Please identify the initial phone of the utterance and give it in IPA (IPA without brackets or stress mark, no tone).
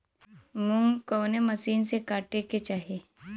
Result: m